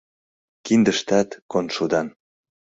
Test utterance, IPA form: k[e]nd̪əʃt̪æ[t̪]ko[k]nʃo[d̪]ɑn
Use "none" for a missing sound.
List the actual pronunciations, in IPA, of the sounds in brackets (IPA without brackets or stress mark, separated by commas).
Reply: i, t̪, none, d̪